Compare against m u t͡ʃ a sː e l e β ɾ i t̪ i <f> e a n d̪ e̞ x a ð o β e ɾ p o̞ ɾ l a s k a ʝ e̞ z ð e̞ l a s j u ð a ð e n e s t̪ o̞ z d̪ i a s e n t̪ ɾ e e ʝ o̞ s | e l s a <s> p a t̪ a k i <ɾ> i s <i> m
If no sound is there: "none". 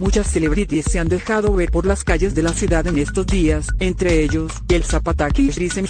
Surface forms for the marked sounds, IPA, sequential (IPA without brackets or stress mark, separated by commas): s, none, ɾ, e